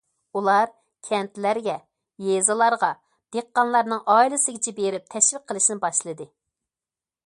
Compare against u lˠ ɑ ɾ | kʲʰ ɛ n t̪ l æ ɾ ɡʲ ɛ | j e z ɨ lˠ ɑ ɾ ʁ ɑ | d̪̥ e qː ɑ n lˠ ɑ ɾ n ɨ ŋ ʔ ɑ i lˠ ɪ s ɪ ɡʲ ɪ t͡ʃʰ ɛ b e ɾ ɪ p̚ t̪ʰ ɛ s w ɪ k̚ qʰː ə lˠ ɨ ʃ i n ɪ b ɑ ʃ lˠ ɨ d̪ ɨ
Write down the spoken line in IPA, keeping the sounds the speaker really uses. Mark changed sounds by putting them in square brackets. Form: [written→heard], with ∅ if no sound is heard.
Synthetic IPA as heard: u lˠ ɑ ɾ | kʲʰ ɛ n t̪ l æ ɾ ɡʲ ɛ | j e z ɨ lˠ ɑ ɾ ʁ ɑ | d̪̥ e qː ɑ n lˠ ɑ ɾ n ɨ ŋ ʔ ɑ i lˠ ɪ s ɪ ɡʲ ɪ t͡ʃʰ ɛ b e ɾ ɪ p̚ t̪ʰ ɛ [s→ʃ] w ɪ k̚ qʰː ə lˠ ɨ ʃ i n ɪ b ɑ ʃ lˠ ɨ d̪ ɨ